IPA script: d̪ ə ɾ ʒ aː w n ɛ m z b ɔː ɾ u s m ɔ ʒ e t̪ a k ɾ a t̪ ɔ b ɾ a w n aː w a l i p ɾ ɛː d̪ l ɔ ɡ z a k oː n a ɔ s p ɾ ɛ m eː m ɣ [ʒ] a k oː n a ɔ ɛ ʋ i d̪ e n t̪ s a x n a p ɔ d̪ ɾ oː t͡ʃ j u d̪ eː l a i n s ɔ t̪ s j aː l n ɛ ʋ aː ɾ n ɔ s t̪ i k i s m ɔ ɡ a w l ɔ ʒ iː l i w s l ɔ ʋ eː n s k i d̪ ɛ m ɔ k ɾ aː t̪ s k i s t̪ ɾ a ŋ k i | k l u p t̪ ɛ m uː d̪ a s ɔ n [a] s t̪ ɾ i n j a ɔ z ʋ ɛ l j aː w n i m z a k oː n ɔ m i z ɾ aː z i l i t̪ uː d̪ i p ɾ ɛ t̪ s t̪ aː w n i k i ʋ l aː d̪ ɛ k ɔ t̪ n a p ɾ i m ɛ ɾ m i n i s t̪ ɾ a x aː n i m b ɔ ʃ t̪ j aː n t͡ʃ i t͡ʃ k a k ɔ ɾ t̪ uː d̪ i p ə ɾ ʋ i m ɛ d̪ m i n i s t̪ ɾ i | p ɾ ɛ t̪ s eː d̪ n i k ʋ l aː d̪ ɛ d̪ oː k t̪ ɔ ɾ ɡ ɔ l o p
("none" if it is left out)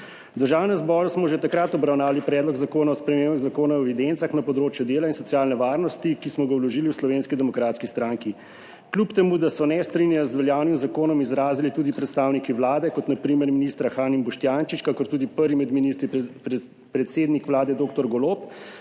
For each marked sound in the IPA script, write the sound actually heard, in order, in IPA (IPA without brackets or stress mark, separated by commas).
z, ɛ